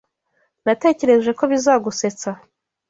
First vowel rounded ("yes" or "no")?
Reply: no